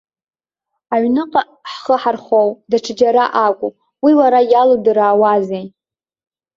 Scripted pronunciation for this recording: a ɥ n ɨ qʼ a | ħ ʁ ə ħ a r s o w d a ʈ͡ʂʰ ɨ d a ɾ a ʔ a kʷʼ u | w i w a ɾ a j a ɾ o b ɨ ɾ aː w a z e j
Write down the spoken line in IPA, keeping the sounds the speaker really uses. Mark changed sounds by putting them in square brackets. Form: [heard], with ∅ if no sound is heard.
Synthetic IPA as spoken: a ɥ n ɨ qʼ a | ħ [χ] ə ħ a r [χ] o w d a ʈ͡ʂʰ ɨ [d͡ʒ] a ɾ a ʔ a kʷʼ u | w i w a ɾ a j a [l] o [d] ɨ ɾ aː w a z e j